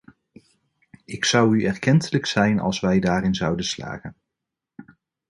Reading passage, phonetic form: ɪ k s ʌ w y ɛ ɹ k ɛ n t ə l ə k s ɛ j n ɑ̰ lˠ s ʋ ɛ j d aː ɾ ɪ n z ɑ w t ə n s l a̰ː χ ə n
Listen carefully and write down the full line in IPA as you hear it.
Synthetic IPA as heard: ɪ k s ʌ w y ɛ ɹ k ɛ n t ə l ə k s ɛ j n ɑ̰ lˠ s ʋ ɛ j d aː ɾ ɪ n z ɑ w d ə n s l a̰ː χ ə n